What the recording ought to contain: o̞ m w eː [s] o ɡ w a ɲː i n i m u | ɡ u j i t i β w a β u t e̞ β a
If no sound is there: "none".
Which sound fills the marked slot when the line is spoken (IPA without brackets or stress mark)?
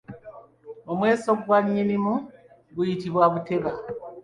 s